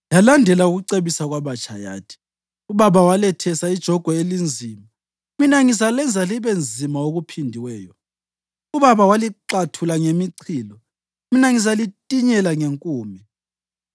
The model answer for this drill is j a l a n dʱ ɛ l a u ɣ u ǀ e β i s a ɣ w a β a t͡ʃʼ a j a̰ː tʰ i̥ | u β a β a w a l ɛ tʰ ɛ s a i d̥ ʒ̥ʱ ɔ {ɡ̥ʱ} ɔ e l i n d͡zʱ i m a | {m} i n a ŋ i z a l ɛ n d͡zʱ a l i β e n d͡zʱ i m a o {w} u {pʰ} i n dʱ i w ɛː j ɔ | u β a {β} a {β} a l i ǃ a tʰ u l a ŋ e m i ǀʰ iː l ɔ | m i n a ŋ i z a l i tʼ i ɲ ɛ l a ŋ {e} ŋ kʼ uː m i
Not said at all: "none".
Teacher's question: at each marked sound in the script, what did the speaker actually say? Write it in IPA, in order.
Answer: ɡ̥ʱ, m, ɣ, pʰ, β, w, e

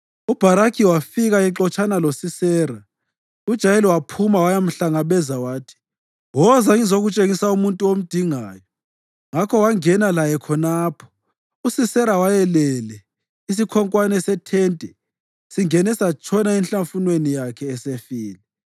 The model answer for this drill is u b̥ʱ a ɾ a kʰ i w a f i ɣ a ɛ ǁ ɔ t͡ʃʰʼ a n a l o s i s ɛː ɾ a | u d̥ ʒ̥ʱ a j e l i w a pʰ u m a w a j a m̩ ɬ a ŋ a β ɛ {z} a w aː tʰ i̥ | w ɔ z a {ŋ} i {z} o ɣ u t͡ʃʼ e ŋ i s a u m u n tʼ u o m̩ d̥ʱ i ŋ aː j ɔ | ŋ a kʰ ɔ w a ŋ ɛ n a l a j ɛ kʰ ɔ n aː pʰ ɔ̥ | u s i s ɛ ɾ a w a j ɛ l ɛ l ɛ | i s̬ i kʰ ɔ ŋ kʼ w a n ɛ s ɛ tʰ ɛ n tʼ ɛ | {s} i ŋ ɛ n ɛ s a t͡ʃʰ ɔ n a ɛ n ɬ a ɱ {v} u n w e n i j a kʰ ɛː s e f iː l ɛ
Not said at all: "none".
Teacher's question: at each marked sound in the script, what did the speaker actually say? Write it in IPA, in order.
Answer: z, ŋ, z, s, f

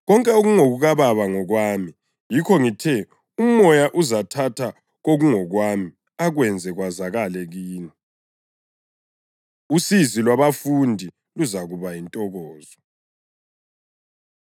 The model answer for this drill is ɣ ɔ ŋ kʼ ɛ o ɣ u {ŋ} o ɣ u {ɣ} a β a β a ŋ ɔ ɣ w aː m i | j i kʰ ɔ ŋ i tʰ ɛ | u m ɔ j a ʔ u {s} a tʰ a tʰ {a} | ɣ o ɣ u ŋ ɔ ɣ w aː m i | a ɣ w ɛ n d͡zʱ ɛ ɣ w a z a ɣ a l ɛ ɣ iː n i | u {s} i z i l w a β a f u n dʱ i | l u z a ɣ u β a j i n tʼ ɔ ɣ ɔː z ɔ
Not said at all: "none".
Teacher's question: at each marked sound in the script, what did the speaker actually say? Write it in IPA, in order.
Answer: ŋ, ɣ, z, a, s

